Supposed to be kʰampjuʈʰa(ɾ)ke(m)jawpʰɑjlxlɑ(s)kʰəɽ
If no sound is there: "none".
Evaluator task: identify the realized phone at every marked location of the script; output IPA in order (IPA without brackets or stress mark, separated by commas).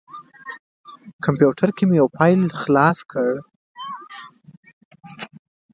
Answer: ɾ, m, s